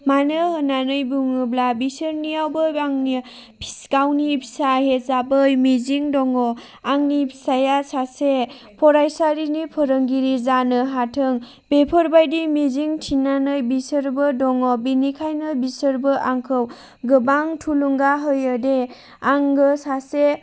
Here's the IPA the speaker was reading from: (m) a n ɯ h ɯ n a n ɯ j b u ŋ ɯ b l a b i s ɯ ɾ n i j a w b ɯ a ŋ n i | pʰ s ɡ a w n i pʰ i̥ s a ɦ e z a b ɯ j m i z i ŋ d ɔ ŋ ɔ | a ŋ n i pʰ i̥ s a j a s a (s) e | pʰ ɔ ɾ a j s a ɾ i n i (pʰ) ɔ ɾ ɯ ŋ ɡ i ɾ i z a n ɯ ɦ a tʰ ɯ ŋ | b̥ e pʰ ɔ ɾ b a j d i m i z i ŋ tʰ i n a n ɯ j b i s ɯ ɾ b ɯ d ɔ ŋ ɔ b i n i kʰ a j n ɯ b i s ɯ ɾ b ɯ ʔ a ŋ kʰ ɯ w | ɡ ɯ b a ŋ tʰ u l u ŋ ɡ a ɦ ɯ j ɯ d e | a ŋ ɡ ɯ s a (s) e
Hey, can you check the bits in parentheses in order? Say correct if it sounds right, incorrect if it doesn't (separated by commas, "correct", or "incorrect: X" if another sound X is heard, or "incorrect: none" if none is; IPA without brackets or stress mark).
correct, correct, correct, correct